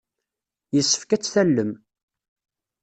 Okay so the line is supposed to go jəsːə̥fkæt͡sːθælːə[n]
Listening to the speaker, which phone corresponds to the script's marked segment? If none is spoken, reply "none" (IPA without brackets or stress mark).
m